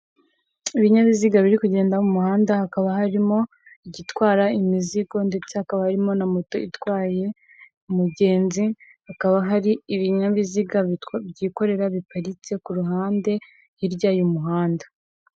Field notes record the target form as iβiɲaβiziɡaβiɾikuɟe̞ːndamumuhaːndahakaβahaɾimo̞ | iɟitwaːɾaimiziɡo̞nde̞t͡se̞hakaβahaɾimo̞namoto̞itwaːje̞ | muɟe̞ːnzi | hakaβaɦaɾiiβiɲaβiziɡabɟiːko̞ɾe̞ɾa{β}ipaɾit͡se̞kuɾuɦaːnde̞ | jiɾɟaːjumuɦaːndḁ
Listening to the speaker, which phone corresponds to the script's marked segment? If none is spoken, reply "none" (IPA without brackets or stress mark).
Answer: β